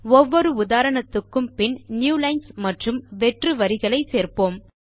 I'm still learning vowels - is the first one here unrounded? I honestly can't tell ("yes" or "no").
no